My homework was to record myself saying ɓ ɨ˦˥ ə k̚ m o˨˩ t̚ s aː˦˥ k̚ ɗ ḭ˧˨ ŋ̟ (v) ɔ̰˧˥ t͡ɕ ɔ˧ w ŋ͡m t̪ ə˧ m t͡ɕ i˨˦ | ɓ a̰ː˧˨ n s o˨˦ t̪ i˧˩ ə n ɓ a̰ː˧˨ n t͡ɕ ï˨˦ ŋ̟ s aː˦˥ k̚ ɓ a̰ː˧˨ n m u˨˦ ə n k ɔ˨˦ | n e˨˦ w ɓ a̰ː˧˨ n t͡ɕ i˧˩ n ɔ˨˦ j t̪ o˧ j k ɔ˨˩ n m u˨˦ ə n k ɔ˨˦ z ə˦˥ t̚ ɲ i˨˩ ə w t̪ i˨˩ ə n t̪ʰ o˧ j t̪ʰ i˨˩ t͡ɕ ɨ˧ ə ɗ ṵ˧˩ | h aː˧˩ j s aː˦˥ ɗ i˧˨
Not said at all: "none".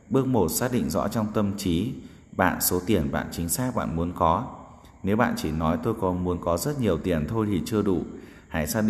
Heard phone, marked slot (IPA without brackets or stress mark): z